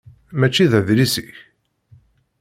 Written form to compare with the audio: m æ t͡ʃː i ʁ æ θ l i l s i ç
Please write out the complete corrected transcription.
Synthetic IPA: m æ t͡ʃː i ð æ ð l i s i ç